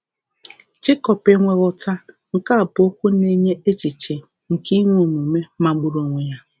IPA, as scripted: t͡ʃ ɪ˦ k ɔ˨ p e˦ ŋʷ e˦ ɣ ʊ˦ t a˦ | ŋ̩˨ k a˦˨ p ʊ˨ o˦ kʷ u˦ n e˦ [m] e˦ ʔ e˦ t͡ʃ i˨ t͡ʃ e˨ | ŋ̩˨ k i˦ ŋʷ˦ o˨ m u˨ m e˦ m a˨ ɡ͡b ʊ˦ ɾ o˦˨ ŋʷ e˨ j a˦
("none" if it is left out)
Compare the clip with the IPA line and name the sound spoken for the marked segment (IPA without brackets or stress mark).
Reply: ɲ